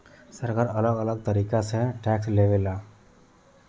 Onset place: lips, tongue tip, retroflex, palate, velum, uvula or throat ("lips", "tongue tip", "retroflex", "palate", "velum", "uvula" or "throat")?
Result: tongue tip